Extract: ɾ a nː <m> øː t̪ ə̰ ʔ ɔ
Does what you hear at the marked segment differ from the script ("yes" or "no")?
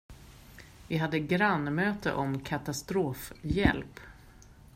no